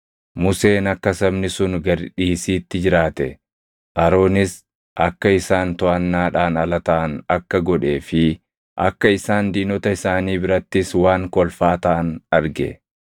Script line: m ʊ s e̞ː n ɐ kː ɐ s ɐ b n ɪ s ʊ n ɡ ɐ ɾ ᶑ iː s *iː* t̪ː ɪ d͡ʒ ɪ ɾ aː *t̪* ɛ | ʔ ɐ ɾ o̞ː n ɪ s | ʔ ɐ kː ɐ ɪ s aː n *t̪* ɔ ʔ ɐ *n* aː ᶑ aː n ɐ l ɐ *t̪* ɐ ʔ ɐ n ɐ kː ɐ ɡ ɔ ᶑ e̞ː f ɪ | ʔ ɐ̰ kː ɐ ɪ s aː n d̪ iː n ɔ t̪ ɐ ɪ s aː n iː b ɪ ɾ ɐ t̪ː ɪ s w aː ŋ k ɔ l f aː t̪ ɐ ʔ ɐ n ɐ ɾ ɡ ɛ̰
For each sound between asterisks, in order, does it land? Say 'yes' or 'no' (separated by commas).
yes, yes, yes, no, yes